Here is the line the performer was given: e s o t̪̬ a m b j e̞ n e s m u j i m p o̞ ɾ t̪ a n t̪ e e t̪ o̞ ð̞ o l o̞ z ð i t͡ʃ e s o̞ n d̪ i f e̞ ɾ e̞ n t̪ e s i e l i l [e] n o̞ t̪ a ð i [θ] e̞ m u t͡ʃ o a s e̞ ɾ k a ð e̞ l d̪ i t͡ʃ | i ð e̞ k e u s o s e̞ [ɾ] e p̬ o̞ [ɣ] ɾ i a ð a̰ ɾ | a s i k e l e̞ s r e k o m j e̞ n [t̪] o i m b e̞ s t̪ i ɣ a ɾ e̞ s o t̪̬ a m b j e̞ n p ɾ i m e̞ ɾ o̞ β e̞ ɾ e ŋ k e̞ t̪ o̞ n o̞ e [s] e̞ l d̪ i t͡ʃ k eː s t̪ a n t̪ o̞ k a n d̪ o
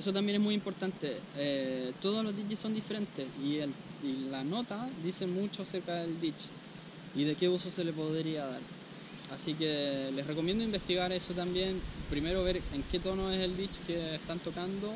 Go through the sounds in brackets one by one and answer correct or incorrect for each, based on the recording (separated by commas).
incorrect, incorrect, incorrect, incorrect, incorrect, correct